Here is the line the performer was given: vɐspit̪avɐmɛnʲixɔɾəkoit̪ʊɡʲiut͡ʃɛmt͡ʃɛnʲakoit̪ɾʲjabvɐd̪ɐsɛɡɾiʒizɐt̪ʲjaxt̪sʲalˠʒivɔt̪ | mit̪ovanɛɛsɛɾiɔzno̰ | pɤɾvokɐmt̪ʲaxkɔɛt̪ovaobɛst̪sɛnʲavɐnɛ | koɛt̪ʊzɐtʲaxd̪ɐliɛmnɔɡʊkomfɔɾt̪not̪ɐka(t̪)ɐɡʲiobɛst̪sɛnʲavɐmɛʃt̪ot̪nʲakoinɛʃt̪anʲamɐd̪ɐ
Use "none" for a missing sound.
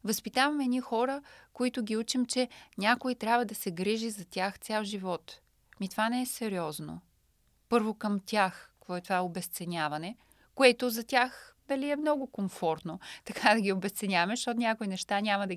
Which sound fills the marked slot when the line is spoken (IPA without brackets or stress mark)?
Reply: d̪